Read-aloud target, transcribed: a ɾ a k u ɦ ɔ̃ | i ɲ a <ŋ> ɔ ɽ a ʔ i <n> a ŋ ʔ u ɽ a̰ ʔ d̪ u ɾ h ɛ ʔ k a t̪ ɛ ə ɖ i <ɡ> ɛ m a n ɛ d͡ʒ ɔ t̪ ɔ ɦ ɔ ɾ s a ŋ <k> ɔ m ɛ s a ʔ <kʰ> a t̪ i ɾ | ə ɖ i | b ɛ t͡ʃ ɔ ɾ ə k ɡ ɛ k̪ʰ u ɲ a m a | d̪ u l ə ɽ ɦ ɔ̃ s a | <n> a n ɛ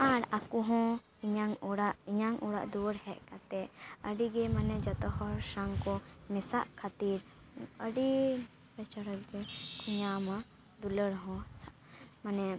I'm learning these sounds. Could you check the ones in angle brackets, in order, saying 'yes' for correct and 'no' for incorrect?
yes, no, yes, yes, yes, no

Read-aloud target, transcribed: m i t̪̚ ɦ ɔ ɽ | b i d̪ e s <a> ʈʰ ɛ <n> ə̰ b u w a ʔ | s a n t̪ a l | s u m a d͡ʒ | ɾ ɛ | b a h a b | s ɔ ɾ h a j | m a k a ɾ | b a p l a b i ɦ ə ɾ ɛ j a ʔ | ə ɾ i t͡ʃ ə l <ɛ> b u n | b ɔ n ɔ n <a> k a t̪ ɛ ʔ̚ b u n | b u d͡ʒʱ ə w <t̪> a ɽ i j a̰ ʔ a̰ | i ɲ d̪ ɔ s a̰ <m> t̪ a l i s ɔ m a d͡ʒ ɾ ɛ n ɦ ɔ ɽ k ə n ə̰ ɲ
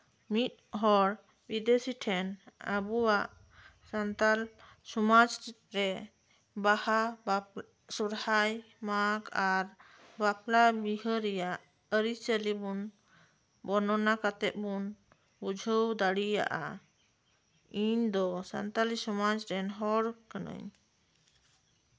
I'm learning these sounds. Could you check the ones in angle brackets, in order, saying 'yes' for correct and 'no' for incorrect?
no, yes, no, yes, no, no

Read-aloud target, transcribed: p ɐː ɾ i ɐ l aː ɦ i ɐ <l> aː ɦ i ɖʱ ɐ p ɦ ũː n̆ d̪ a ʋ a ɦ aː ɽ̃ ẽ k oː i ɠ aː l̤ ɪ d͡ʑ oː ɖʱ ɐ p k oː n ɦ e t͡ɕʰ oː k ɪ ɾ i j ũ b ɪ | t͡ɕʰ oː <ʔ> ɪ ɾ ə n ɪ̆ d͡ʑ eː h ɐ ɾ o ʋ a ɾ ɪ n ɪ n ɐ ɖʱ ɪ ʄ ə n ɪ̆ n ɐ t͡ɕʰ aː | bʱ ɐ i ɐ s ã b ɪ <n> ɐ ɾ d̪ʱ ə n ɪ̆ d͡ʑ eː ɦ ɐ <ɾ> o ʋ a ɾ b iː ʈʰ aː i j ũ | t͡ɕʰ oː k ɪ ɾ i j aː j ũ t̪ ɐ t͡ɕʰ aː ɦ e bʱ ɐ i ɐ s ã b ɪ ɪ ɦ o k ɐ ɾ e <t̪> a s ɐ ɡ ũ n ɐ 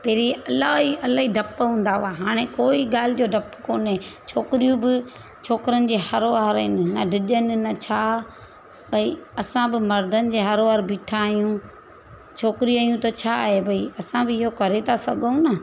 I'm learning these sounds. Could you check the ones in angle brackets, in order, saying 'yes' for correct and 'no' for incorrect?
yes, no, no, yes, no

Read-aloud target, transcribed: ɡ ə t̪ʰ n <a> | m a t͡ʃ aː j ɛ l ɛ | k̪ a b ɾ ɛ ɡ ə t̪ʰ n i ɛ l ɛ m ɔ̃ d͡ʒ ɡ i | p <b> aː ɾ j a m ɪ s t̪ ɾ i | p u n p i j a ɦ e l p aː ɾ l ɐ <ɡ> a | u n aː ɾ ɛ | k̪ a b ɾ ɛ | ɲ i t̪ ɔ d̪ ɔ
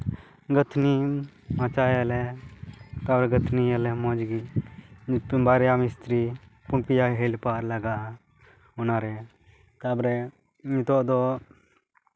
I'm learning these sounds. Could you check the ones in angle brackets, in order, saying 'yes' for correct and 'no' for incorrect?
no, yes, yes

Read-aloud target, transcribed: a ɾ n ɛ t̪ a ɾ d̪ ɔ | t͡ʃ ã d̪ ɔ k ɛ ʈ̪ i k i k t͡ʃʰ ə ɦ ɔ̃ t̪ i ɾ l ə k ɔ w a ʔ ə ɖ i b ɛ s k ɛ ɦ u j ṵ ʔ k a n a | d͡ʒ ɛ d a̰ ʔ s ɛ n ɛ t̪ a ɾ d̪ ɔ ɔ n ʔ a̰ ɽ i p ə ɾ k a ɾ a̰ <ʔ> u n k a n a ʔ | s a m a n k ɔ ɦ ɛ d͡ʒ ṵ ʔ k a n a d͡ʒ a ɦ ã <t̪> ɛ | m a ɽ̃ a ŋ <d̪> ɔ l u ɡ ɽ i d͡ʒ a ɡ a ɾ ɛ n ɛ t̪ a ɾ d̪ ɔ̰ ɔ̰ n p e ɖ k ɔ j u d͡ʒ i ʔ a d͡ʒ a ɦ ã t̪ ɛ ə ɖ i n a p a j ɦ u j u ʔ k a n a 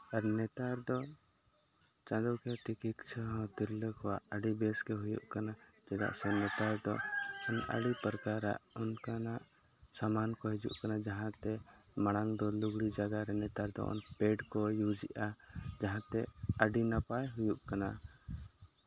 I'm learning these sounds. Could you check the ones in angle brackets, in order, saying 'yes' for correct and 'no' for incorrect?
yes, yes, yes

